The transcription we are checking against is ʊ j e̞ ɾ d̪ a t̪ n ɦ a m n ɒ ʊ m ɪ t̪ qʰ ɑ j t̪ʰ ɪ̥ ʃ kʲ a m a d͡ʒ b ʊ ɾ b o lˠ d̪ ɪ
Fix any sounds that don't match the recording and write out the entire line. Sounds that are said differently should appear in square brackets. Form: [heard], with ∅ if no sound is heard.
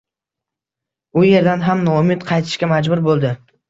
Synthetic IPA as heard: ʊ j e̞ ɾ d̪ a [∅] n ɦ a m n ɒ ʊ m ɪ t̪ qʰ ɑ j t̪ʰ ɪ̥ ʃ kʲ a m a d͡ʒ b ʊ ɾ b o lˠ d̪ ɪ